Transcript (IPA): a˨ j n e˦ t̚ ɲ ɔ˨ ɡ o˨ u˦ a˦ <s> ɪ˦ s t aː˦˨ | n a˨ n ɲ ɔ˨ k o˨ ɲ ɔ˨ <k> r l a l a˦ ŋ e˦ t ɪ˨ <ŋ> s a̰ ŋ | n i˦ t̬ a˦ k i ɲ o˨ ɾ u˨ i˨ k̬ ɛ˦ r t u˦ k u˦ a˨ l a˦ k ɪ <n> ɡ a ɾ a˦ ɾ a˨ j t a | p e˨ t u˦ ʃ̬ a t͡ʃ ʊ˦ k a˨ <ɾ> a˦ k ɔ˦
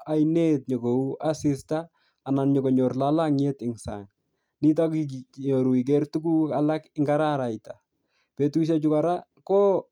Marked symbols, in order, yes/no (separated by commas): yes, no, yes, no, yes